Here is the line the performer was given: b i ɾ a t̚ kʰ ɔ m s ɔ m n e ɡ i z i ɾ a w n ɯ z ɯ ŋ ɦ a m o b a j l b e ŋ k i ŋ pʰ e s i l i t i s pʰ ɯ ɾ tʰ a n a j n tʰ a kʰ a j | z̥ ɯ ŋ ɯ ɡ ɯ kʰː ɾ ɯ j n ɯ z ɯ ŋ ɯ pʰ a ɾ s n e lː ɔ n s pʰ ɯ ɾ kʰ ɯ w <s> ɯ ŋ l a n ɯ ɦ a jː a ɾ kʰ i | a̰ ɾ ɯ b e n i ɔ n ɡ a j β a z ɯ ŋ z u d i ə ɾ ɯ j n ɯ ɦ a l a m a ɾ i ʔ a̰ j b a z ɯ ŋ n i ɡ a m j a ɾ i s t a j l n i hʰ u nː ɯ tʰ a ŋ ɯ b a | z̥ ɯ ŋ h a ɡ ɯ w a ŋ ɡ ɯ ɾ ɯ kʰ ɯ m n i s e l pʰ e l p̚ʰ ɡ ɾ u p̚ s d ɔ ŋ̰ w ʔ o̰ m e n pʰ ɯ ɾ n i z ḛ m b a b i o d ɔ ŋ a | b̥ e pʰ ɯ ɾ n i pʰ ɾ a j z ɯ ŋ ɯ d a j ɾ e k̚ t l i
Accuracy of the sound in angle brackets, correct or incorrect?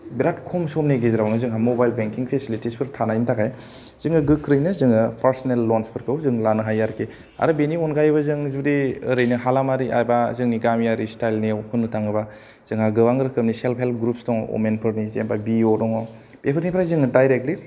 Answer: incorrect: z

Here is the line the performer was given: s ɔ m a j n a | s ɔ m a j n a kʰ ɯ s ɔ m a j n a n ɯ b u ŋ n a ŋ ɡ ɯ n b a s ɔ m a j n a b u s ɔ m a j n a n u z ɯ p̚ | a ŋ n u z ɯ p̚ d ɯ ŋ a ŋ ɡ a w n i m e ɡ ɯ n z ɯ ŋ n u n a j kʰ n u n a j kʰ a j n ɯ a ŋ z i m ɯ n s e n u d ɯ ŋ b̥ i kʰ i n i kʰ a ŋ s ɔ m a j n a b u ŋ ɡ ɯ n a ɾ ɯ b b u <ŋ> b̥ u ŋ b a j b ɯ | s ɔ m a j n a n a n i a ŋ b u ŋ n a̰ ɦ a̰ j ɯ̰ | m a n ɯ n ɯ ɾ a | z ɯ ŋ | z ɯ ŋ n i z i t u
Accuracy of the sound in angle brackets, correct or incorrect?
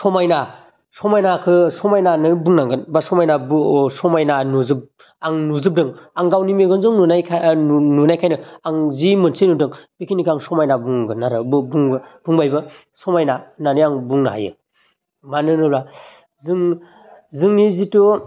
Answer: correct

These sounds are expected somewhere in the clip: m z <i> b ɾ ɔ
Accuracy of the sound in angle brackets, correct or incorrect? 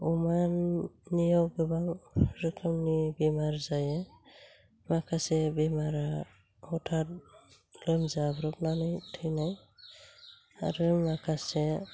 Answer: incorrect: a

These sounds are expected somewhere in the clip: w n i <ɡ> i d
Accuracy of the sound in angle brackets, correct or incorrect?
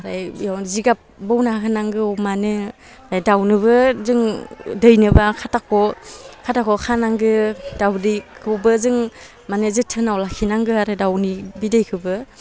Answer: incorrect: b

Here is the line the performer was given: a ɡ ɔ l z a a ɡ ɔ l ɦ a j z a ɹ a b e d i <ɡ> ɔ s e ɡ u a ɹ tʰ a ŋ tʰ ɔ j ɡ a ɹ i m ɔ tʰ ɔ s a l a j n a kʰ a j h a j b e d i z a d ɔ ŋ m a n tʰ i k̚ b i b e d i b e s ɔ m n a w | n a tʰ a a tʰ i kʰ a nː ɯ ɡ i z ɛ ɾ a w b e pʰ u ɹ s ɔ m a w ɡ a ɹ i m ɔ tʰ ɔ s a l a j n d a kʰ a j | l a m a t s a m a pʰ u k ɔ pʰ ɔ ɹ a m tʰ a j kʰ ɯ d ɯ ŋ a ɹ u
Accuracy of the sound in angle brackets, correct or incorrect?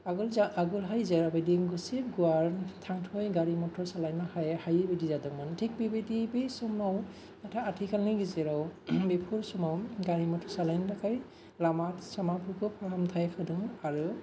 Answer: correct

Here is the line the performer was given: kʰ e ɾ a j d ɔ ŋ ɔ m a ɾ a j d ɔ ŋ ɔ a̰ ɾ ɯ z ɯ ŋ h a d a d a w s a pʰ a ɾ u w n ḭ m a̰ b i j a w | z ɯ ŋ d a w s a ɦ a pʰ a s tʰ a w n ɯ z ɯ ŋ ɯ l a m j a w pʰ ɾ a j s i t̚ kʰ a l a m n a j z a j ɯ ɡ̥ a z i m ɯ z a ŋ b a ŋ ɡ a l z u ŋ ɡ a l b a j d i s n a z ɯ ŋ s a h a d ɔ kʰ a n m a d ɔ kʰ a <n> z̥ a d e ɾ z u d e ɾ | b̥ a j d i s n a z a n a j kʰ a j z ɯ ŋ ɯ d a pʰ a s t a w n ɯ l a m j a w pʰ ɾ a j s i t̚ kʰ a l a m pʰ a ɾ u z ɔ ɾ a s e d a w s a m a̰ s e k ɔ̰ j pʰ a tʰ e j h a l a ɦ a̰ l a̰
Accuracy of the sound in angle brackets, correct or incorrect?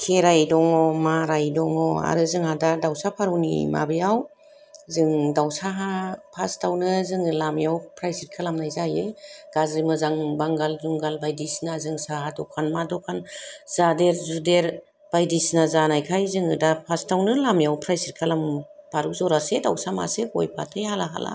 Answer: correct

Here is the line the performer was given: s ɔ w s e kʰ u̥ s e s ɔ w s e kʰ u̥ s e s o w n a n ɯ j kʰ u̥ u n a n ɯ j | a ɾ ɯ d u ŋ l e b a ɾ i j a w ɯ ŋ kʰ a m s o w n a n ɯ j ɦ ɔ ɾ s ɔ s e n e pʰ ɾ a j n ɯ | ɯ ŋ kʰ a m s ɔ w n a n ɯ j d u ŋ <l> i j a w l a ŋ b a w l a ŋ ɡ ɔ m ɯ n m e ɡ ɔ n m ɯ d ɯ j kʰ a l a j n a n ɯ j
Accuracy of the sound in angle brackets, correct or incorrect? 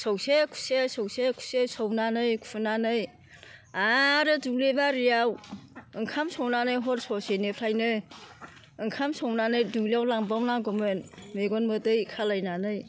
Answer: correct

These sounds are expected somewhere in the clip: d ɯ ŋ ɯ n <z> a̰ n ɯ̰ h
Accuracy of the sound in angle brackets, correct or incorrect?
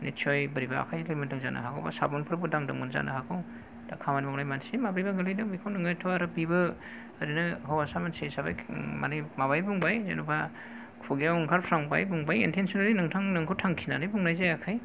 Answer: correct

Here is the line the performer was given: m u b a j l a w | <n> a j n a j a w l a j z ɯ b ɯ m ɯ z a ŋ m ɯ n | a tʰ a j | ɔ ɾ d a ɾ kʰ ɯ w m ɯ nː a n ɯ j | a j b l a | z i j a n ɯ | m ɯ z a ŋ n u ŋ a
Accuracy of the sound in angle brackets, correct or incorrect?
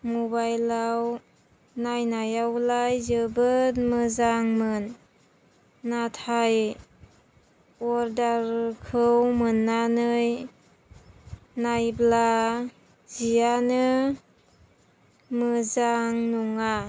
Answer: correct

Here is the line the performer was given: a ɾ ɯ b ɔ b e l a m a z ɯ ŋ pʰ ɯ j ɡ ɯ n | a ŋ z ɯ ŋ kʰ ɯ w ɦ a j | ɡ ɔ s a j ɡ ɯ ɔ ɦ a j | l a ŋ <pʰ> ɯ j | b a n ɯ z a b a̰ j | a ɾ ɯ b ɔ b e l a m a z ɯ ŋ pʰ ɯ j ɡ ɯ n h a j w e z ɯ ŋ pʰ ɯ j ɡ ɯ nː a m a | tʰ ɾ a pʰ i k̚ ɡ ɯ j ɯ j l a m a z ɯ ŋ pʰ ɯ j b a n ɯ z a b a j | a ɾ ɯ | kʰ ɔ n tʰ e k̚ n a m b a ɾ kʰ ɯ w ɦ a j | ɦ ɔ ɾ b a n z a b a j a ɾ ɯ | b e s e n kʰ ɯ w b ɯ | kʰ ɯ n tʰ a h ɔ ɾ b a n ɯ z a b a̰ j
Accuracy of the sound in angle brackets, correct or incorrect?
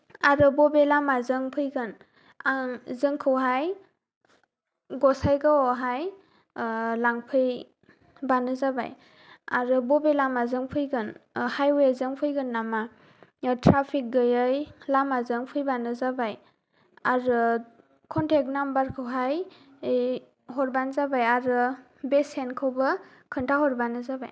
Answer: correct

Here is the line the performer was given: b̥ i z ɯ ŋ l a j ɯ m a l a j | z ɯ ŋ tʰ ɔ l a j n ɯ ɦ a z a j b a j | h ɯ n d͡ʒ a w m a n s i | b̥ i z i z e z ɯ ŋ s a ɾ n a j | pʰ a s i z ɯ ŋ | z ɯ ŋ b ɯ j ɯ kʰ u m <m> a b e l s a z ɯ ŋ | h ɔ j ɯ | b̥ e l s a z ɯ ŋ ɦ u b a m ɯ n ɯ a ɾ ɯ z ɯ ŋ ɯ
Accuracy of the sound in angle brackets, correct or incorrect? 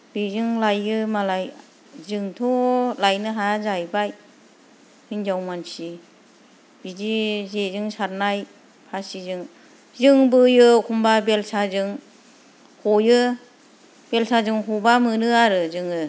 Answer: incorrect: b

